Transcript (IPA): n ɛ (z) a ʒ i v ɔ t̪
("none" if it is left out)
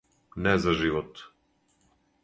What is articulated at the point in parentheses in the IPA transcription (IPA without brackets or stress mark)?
z